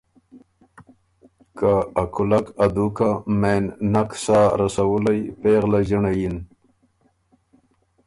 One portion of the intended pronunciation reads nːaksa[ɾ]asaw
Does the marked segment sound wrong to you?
no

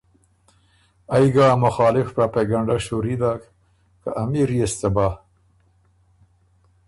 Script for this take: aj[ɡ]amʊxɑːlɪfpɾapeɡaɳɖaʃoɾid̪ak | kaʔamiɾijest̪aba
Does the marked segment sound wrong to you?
no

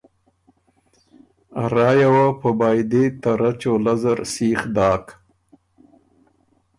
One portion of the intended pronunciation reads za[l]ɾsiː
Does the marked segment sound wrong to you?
yes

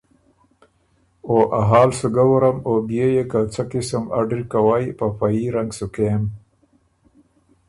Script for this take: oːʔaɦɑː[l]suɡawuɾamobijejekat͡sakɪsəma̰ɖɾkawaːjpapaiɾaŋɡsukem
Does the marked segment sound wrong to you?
no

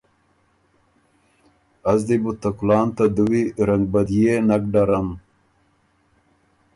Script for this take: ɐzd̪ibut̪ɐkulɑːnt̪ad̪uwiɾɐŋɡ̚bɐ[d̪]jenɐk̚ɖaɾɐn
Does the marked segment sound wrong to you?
no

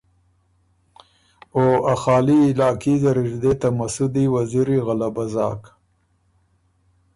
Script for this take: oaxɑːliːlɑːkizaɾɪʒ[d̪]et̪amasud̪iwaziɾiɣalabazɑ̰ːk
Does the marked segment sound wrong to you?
no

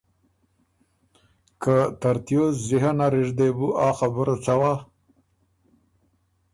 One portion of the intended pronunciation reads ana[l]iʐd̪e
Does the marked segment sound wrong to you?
yes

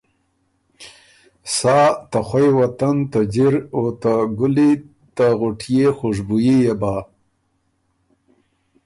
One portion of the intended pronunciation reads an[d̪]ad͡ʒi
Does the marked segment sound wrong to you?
yes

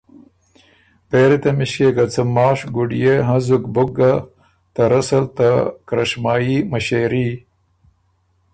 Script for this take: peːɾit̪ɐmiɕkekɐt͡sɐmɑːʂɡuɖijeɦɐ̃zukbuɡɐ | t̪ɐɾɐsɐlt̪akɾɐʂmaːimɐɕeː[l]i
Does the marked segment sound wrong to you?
yes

